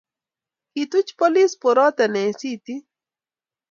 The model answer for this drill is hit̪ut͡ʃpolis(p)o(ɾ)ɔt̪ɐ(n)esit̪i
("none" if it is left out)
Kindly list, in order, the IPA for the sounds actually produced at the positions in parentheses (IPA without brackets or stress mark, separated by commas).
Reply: p, ɾ, n